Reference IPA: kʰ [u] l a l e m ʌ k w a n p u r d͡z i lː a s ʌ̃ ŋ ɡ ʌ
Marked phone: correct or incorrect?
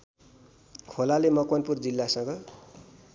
incorrect